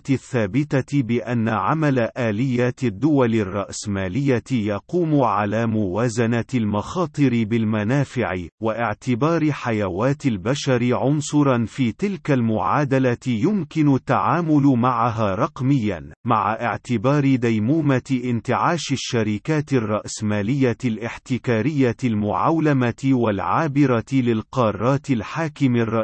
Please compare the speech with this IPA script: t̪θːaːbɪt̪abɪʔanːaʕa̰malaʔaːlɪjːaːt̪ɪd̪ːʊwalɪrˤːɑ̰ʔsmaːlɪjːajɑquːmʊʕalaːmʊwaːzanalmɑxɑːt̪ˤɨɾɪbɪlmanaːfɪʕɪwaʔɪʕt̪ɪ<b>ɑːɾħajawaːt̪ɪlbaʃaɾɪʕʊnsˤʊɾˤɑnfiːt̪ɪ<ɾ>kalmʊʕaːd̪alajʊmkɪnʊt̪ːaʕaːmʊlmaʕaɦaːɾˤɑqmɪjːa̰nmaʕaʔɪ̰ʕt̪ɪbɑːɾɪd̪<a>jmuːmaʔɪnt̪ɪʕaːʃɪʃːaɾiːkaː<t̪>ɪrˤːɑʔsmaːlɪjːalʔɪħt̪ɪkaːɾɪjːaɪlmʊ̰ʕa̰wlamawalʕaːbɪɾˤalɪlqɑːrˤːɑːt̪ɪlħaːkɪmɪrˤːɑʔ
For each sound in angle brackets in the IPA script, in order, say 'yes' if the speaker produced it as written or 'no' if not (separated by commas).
yes, no, yes, yes